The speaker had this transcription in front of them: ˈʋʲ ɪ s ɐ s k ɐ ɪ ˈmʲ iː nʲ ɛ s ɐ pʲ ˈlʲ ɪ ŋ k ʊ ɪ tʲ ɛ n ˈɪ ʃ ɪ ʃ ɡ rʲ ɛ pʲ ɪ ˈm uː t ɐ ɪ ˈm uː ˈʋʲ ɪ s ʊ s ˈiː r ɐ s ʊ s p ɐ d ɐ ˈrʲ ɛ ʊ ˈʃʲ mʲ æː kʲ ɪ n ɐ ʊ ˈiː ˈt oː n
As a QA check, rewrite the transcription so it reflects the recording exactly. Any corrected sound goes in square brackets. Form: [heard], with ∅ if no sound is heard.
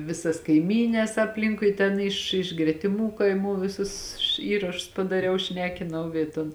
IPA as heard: ˈʋʲ ɪ s ɐ s k ɐ ɪ ˈmʲ iː nʲ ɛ s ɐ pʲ ˈlʲ ɪ ŋ k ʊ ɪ tʲ ɛ n ˈɪ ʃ ɪ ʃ ɡ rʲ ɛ [tʲ] ɪ ˈm uː [k] ɐ ɪ ˈm uː ˈʋʲ ɪ s ʊ s ˈiː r ɐ [ʃ] ʊ s p ɐ d ɐ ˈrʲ ɛ ʊ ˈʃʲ [nʲ] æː kʲ ɪ n ɐ ʊ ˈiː ˈt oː n